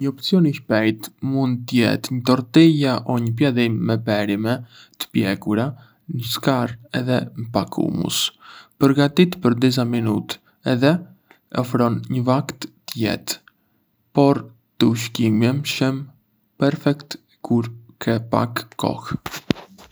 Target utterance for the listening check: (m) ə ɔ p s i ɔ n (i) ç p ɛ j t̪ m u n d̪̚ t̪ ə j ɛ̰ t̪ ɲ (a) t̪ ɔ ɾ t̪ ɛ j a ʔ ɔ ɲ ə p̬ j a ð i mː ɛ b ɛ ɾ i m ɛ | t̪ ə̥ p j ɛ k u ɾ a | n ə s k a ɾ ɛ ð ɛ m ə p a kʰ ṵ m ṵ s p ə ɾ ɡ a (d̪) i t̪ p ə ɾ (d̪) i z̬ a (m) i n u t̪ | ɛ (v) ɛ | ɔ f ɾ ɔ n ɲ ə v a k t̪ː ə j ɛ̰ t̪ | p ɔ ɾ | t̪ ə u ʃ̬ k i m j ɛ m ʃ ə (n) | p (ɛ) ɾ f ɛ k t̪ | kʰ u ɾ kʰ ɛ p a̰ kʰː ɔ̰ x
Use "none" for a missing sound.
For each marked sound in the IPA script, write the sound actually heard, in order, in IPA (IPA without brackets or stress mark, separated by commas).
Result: ɲ, i, ə, t̪, d̪, m, ð, m, ɛ